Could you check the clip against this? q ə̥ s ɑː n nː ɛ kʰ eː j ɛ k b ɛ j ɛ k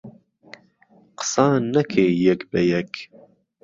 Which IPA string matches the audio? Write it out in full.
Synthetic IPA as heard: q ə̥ s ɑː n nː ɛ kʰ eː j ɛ k b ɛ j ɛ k